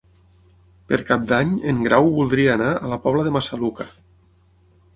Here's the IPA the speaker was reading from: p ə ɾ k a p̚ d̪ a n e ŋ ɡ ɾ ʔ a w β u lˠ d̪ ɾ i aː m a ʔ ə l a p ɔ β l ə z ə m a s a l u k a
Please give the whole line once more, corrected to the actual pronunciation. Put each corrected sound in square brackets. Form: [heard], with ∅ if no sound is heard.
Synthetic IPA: p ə ɾ k a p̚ d̪ a [ɲ] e ŋ ɡ ɾ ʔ a w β u lˠ d̪ ɾ i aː [n] a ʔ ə l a p ɔ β l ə [ð] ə m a s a l u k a